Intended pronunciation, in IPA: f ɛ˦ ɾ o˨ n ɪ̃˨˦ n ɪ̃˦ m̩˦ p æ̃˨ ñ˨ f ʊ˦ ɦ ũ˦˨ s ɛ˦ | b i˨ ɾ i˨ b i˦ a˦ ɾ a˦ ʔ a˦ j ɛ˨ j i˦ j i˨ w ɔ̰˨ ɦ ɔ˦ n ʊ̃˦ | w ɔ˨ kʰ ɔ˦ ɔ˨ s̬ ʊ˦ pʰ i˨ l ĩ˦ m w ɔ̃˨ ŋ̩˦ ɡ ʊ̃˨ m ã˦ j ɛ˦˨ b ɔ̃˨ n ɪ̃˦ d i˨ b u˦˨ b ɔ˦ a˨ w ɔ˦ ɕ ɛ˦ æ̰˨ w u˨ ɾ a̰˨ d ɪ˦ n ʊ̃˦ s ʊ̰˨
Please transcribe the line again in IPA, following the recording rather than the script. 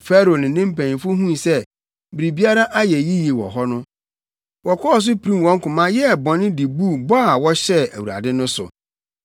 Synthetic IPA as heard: f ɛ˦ ɾ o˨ n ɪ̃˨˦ n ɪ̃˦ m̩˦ p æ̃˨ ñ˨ f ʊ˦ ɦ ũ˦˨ s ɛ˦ | b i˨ ɾ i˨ b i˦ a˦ ɾ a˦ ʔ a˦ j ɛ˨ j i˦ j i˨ w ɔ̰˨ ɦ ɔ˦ n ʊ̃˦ | w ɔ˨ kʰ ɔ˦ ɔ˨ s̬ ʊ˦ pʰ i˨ ɾ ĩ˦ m w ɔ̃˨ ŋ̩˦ k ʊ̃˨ m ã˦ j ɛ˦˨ b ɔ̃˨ n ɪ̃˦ d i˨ b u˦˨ b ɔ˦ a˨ w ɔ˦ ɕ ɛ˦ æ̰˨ w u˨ ɾ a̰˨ d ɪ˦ n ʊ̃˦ s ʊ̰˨

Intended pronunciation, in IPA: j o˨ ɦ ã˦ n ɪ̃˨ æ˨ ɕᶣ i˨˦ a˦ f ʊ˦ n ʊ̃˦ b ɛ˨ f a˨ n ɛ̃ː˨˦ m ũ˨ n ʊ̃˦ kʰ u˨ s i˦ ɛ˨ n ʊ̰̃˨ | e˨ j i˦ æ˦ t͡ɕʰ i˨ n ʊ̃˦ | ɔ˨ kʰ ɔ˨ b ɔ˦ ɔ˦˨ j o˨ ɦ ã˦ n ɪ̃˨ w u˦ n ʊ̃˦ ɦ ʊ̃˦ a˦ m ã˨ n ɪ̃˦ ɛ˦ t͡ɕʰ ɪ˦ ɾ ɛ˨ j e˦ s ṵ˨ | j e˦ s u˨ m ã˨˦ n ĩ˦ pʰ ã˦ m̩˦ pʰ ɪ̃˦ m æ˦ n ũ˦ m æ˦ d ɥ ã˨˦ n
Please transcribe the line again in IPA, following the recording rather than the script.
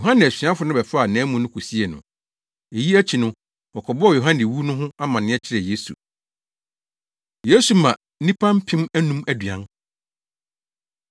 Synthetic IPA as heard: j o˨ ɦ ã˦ n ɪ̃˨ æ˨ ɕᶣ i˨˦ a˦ f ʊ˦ n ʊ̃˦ b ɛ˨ f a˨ n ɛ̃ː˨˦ m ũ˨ n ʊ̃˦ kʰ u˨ s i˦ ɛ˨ n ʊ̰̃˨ | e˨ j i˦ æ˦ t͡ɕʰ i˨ n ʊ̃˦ | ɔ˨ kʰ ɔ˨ b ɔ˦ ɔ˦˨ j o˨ ɦ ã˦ n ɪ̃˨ w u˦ n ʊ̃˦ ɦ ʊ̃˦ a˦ m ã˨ n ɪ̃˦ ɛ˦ t͡ɕʰ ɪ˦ ɾ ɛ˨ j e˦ s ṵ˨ | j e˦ s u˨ m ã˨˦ n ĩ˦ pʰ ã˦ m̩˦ pʰ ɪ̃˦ m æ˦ n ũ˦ m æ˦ d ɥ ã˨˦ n

